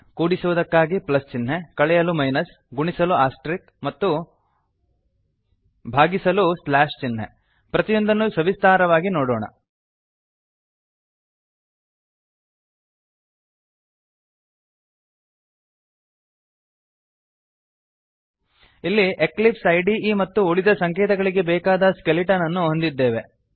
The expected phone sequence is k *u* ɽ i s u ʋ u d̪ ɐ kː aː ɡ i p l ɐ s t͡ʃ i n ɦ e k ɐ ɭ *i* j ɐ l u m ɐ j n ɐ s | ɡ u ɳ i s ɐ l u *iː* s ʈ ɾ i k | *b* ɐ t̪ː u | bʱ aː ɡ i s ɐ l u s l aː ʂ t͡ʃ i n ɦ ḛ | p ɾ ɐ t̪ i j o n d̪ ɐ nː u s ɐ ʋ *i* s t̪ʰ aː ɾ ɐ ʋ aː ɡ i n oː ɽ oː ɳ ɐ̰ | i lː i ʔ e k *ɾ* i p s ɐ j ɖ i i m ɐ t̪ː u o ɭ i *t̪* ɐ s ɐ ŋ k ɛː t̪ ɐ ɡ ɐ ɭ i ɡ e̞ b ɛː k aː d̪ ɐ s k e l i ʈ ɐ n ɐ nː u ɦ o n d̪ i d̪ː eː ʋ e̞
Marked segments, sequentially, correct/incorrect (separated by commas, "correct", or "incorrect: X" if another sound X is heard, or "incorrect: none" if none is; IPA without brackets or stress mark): incorrect: uː, incorrect: ɛ, incorrect: aː, incorrect: m, correct, incorrect: l, incorrect: d̪